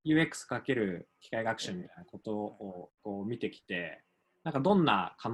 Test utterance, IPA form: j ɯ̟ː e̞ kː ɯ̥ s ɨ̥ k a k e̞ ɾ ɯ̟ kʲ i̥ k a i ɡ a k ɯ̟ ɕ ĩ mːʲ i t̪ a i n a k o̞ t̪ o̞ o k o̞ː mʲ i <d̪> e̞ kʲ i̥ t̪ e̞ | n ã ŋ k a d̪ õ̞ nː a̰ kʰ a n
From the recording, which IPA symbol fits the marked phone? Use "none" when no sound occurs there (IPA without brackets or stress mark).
t̪